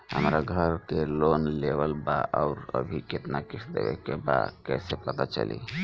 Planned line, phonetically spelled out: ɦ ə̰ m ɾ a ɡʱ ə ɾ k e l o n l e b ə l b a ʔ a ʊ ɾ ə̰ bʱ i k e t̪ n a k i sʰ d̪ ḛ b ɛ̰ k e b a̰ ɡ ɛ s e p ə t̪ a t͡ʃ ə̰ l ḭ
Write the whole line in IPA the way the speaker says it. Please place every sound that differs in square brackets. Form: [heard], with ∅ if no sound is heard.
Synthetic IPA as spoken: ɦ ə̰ m ɾ a ɡʱ ə ɾ k e l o n l e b ə l b a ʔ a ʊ ɾ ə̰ bʱ i k e t̪ n a k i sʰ d̪ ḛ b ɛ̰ k e b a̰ [k] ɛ s e p ə t̪ a t͡ʃ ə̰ l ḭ